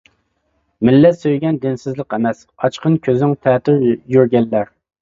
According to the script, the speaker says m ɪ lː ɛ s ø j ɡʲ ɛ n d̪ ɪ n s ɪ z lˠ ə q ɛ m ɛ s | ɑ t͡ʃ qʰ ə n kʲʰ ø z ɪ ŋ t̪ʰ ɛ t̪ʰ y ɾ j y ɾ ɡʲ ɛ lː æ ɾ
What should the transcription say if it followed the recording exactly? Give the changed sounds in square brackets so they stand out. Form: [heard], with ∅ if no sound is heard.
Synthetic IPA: m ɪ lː ɛ s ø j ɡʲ ɛ n d̪ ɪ n s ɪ z lˠ ə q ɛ m ɛ s | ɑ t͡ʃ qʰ ə n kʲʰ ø z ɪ ŋ t̪ʰ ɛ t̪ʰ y ɾ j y ɾ ɡʲ ɛ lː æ ɾ